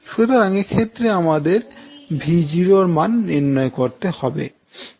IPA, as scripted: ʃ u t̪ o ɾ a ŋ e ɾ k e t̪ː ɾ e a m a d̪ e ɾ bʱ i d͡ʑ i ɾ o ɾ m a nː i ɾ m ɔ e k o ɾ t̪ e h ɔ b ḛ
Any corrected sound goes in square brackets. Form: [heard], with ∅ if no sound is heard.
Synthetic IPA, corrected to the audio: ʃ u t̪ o ɾ a ŋ e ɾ [kʰ] e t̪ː ɾ e a m a d̪ e ɾ bʱ i d͡ʑ i ɾ o ɾ m a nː i ɾ [n] ɔ e k o ɾ t̪ e h ɔ b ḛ

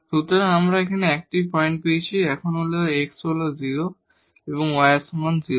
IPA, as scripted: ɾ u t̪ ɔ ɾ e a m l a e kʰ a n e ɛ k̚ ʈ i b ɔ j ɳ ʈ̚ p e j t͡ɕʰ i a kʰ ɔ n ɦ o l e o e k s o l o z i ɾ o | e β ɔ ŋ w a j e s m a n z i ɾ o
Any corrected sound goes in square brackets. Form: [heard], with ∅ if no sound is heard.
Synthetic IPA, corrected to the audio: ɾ u t̪ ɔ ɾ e a m [ɾ] a e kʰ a n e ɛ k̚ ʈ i [p] ɔ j ɳ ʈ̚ p e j t͡ɕʰ i [ɛ] kʰ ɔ n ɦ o l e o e k s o l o z i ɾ o | e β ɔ ŋ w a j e s m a n z i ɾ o

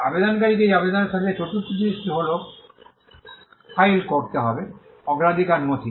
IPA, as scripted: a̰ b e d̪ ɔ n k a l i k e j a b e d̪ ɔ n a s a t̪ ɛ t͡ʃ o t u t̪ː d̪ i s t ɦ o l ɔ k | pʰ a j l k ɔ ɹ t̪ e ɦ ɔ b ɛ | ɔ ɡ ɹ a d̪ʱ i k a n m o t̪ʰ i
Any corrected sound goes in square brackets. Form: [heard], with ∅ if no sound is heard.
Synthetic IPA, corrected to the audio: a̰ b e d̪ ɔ n k a [ɹ] i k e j a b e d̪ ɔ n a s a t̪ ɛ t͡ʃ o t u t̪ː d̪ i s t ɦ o l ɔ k | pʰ a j l k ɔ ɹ t̪ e ɦ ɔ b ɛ | ɔ ɡ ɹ a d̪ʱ i k a n m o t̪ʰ i

